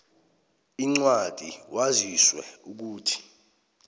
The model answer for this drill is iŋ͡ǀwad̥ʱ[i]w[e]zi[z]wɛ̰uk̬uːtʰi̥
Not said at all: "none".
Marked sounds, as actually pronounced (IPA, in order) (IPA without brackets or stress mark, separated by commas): i, a, s